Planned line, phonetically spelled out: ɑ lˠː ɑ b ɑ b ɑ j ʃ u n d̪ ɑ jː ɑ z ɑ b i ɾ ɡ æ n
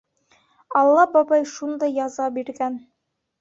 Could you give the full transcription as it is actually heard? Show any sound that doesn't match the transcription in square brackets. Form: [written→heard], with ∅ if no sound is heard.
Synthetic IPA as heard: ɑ lˠː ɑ b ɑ b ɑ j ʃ u n d̪ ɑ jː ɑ z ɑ b i ɾ ɡ æ n